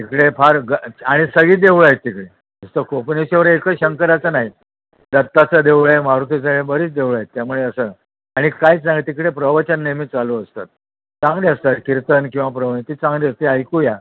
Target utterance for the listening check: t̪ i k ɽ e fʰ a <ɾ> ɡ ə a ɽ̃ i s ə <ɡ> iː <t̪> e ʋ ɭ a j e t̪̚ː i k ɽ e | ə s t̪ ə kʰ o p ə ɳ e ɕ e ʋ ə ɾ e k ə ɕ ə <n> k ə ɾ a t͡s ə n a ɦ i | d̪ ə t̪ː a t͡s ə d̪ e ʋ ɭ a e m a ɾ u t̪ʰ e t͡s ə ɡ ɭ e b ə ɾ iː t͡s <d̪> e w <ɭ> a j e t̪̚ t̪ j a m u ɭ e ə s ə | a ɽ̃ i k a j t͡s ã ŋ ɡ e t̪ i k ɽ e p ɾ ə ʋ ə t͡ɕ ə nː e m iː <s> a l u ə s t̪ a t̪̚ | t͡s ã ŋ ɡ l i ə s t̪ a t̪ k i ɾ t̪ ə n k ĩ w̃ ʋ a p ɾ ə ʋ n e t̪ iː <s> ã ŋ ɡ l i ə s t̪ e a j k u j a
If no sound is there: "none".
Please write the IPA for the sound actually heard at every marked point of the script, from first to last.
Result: ɾ, ɡ, d̪, ŋ, d̪, ɭ, t͡s, t͡s

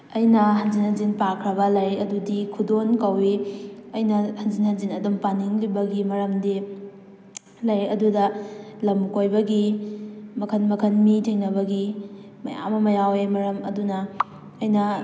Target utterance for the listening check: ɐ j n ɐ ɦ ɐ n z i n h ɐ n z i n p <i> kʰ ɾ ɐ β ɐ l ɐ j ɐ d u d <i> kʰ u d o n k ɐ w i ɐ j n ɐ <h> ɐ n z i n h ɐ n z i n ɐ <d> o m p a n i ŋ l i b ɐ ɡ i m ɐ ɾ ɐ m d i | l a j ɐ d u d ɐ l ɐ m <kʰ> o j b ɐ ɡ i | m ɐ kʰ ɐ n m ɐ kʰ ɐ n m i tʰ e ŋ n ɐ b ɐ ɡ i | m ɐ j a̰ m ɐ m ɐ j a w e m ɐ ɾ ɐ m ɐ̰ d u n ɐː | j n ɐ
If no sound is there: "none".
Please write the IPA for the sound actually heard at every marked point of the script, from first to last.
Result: a, i, h, d, k

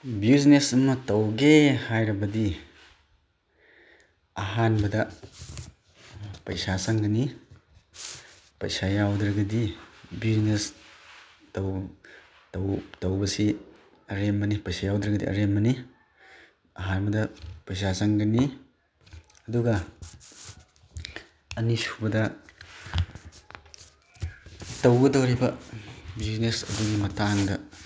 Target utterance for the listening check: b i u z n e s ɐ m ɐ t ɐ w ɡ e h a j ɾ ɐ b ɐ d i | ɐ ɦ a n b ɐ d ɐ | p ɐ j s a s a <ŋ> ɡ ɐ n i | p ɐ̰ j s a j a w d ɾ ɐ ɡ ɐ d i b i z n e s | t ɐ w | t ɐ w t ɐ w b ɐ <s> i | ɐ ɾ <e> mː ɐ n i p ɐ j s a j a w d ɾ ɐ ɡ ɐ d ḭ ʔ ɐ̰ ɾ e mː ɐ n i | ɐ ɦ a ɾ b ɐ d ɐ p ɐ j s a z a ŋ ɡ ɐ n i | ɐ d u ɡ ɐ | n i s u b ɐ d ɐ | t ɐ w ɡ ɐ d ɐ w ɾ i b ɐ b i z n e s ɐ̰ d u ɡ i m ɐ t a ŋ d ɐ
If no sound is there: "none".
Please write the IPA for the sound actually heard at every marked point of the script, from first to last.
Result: ŋ, s, e

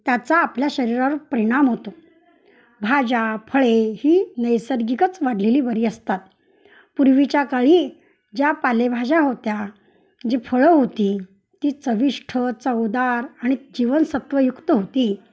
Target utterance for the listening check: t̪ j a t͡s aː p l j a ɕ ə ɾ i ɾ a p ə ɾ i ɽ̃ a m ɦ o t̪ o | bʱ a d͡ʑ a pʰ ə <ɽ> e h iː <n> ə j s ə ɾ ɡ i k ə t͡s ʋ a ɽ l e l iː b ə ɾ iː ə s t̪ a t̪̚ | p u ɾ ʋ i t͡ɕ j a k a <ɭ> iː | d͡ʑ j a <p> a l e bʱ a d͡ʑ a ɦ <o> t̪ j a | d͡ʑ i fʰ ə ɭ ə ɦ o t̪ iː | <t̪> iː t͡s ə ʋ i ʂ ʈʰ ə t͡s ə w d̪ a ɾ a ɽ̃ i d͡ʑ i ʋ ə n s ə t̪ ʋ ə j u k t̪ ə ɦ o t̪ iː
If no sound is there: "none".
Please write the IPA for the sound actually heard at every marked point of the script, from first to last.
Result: ɭ, n, ɭ, p, o, t̪

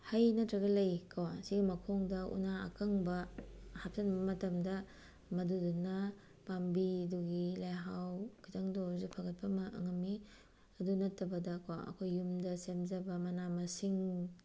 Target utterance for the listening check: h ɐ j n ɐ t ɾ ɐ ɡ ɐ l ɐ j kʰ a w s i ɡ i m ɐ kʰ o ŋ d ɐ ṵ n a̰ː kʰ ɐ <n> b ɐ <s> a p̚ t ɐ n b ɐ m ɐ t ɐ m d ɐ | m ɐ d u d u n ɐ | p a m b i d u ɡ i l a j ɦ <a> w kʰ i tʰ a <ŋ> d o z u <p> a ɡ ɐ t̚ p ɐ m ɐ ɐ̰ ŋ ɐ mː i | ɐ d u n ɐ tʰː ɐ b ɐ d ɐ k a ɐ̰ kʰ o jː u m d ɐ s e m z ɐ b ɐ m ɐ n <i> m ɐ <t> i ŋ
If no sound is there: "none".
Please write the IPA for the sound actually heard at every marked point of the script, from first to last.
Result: ŋ, h, a, ŋ, pʰ, a, s

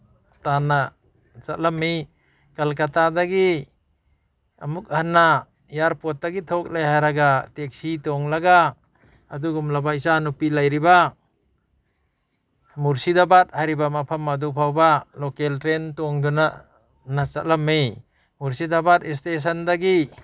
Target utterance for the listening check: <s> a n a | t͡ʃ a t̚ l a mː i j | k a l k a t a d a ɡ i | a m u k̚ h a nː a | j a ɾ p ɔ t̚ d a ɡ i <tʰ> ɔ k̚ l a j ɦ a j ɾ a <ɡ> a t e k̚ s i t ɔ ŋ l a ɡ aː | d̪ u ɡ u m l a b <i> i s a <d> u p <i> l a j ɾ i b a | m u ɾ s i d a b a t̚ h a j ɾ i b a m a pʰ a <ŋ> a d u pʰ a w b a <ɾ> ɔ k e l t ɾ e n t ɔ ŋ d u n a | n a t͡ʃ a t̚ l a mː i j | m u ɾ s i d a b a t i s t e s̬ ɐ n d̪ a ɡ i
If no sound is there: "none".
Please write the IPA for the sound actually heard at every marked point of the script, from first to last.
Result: t, tʰ, ɡ, a, n, i, m, l

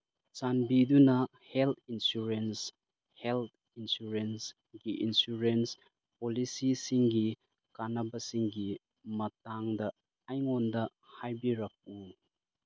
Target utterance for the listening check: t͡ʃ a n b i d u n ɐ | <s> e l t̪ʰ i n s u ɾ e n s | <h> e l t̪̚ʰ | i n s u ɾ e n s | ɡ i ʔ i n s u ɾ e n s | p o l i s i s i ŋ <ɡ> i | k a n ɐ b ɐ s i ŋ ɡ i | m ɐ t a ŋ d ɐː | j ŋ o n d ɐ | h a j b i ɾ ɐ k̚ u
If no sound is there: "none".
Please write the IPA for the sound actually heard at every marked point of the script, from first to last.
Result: h, h, ɡ

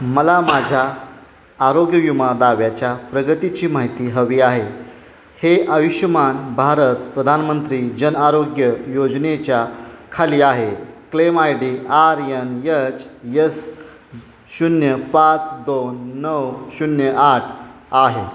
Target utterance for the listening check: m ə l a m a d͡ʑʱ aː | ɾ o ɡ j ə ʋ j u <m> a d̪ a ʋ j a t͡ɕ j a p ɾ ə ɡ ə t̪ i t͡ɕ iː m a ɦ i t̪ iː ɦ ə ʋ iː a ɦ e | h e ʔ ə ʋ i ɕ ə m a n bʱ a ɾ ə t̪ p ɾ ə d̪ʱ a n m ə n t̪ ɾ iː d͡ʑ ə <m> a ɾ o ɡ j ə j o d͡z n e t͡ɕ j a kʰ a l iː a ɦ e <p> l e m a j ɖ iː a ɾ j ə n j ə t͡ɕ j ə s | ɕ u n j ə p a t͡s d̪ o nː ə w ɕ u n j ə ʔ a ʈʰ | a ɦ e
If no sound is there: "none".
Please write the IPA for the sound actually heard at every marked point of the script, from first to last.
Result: m, n, k

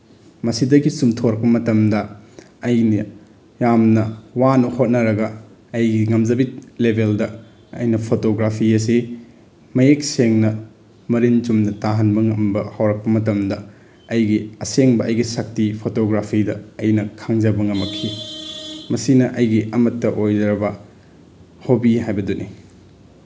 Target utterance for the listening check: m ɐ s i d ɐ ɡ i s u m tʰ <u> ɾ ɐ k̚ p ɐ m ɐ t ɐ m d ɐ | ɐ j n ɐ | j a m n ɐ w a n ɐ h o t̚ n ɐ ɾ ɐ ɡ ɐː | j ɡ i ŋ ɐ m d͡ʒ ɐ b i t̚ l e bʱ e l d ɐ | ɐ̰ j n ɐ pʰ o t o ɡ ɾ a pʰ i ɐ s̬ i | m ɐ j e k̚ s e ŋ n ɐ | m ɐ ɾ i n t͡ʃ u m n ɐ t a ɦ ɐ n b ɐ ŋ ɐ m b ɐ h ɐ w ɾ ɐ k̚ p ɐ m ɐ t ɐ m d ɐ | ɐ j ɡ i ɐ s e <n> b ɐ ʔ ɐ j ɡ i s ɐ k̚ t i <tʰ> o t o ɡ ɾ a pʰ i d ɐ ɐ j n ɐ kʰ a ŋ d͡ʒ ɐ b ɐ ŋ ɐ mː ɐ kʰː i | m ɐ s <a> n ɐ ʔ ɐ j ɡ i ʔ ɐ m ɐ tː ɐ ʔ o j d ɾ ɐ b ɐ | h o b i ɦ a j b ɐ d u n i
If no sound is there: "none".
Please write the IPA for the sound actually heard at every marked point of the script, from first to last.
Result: o, ŋ, pʰ, i

